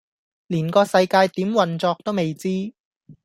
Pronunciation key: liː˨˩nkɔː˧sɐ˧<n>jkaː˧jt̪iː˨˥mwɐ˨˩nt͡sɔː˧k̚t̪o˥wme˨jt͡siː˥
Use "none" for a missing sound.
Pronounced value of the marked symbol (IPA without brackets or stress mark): none